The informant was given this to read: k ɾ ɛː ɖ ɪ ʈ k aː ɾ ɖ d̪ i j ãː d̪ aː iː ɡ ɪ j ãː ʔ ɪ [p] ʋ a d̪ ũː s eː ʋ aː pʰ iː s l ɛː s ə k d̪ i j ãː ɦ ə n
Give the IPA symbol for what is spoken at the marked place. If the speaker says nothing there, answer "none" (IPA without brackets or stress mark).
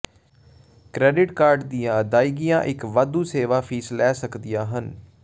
k